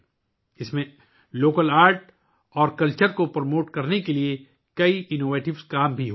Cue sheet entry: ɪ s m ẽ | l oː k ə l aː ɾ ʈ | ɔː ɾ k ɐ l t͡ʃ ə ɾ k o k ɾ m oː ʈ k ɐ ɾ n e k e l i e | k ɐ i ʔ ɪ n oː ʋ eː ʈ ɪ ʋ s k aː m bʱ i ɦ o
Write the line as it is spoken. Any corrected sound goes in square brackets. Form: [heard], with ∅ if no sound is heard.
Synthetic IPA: ɪ s m ẽ | l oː k ə l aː ɾ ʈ | ɔː ɾ k ɐ l t͡ʃ ə ɾ k o [p] ɾ m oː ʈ k ɐ ɾ n e k e l i e | k ɐ i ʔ ɪ n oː ʋ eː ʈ ɪ ʋ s k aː m bʱ i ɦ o